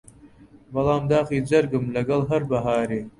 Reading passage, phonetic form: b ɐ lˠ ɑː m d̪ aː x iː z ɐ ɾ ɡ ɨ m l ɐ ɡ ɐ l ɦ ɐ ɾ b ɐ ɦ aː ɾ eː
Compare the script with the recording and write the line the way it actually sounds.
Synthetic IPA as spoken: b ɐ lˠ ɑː m d̪ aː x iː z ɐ ɾ ɡ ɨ m l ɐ ɡ ɐ l ɦ ɐ ɾ b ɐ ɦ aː ɾ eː

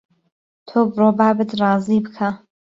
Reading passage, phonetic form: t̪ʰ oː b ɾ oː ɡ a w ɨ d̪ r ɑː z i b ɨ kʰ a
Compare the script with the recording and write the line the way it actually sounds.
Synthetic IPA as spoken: t̪ʰ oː b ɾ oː b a b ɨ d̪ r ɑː z i b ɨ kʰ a

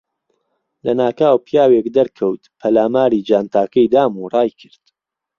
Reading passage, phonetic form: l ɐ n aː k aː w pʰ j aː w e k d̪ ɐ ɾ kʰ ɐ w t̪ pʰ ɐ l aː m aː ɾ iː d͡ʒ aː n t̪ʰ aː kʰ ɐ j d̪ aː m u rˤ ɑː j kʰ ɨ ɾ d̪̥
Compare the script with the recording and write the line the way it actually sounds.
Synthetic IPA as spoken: l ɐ n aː k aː w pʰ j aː w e k d̪ ɐ ɾ kʰ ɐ w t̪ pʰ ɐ l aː m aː ɾ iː d͡ʒ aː n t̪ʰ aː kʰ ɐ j d̪ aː m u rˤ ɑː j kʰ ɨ ɾ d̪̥

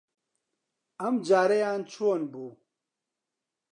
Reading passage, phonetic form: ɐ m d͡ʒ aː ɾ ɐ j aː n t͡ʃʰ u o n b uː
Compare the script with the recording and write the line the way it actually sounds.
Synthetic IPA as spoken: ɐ m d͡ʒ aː ɾ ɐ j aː n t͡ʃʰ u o n b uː

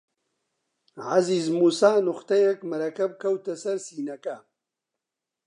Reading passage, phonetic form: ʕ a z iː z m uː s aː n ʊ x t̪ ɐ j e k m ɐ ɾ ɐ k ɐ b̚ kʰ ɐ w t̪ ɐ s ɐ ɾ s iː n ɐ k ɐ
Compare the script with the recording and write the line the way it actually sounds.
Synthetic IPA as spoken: ʕ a z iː z m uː s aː n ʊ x t̪ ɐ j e k m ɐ ɾ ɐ k ɐ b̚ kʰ ɐ w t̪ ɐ s ɐ ɾ s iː n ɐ k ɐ

